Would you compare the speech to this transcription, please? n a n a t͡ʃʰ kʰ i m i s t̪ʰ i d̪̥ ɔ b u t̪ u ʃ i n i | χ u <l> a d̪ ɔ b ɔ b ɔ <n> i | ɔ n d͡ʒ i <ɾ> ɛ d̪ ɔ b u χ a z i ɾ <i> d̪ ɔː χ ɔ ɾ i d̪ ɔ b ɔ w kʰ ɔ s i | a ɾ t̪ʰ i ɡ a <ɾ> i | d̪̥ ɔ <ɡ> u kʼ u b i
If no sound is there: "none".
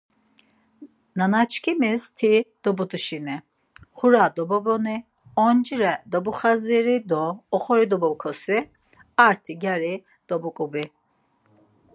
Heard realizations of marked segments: ɾ, n, ɾ, i, ɾ, b

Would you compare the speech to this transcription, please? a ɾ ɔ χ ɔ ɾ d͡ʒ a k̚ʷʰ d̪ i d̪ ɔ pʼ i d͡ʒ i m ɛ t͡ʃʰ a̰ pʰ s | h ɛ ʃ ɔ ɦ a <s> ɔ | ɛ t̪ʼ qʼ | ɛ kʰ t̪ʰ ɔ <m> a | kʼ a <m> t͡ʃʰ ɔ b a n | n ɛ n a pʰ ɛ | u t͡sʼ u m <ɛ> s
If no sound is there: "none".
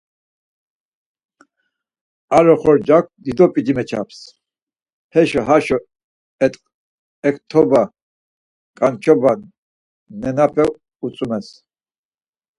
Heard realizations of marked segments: ʃ, b, n, ɛ

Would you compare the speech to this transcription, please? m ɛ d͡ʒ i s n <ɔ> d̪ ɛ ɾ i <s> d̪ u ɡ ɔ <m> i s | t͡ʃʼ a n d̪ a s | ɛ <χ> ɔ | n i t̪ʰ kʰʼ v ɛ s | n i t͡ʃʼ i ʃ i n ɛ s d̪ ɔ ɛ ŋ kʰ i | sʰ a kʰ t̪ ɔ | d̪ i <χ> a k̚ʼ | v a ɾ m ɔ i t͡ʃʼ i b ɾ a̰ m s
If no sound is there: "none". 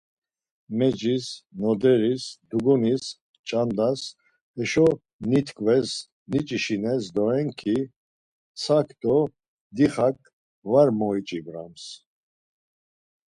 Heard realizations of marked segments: ɔ, s, n, ʃ, χ

